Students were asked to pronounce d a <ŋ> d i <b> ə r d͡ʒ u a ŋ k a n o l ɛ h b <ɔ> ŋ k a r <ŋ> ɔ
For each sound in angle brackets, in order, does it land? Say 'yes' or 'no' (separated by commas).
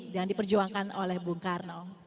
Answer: yes, no, no, no